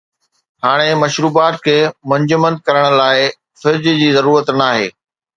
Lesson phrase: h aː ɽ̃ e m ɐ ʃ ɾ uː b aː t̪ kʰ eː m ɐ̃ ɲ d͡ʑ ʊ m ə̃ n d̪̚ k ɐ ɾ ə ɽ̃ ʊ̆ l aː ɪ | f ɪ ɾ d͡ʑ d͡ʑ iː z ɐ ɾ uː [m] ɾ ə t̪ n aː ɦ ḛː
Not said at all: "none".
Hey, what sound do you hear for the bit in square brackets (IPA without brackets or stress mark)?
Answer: none